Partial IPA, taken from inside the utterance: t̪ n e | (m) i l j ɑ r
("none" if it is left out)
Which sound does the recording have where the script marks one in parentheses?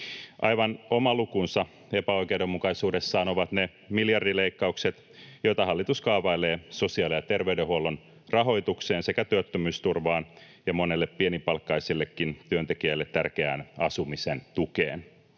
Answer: m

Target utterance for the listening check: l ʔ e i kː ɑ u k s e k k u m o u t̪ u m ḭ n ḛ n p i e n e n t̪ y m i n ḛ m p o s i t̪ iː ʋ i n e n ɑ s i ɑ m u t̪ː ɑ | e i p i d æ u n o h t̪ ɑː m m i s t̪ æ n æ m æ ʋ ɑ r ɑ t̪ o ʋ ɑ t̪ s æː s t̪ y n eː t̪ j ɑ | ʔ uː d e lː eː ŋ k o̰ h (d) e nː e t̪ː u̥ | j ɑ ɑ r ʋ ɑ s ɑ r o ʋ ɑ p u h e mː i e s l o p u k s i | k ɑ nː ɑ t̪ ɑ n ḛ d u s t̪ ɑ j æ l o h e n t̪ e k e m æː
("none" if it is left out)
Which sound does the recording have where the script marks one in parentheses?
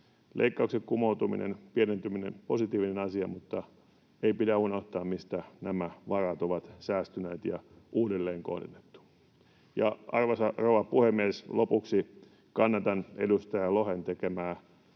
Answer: d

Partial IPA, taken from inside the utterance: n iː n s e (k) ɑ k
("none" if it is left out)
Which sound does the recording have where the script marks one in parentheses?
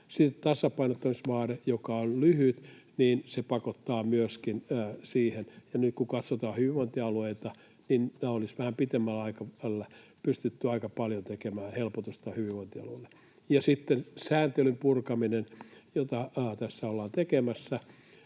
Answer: p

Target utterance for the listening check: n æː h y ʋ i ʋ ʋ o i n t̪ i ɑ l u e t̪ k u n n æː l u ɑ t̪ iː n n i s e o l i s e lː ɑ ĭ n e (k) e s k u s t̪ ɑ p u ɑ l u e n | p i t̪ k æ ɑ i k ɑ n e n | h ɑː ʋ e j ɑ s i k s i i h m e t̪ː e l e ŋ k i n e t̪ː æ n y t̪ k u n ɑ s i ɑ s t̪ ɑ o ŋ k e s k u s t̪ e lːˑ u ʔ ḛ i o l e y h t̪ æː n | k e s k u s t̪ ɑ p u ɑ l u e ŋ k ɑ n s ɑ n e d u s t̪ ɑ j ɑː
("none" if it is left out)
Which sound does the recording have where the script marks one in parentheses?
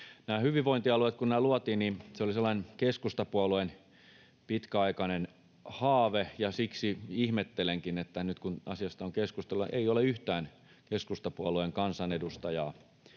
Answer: k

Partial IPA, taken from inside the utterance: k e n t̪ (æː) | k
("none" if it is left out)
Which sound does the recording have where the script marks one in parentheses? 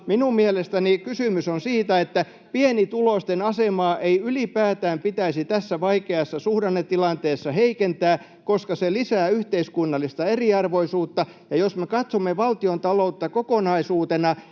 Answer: æː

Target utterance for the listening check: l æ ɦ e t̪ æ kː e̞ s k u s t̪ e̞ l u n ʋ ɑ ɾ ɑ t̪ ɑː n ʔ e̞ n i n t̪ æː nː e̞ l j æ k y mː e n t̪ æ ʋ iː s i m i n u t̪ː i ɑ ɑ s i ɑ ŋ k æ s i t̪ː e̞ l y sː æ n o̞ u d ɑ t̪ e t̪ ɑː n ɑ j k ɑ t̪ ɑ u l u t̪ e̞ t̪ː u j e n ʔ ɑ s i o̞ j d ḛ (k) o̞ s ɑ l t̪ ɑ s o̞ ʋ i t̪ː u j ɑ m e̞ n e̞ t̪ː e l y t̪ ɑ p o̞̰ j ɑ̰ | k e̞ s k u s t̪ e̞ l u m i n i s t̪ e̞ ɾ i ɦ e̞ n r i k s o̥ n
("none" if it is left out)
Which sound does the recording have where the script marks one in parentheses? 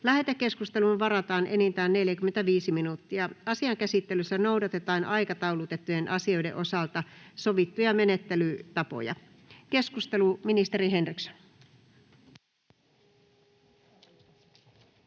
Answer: ʔ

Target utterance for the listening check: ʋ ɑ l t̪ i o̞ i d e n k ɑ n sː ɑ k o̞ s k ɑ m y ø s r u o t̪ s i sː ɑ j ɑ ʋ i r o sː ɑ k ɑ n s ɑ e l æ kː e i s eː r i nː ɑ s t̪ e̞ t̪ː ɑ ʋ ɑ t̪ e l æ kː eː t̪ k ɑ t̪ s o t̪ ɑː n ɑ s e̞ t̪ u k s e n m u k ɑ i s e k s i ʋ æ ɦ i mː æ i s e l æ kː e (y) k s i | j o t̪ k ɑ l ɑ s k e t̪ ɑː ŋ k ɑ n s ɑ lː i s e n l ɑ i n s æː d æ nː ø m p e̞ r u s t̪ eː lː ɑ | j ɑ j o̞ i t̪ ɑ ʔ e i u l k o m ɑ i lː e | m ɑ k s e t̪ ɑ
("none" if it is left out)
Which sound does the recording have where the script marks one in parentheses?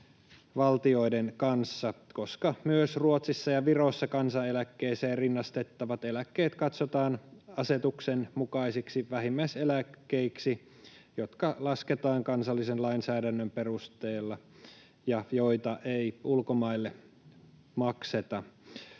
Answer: i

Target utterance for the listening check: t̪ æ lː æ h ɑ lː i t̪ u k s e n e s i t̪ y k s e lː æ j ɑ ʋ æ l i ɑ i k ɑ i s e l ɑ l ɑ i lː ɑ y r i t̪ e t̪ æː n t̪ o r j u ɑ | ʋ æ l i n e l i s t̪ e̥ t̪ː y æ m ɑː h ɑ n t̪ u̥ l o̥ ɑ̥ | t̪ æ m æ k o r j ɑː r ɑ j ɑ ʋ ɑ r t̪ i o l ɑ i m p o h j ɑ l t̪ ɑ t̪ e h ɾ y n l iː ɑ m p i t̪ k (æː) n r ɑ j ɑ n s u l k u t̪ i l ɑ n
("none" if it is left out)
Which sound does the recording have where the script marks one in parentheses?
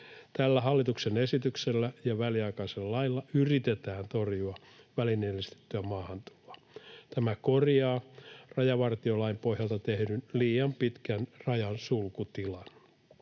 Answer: æ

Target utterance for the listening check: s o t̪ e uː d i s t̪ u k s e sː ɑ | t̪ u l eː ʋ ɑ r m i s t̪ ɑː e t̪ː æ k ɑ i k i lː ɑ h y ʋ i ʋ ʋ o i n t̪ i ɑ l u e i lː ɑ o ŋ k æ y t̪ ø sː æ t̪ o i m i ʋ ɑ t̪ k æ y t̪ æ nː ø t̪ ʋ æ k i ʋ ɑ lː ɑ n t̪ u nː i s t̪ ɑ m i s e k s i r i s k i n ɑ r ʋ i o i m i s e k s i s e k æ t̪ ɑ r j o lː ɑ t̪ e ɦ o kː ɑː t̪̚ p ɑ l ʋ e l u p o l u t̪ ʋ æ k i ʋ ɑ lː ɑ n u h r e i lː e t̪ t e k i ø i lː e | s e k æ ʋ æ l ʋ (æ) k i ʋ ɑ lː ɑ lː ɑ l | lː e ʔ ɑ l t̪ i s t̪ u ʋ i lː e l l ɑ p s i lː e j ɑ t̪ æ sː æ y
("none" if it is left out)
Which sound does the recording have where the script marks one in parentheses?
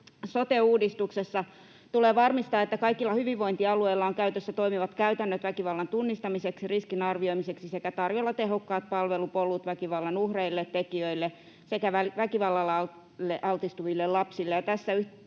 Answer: æ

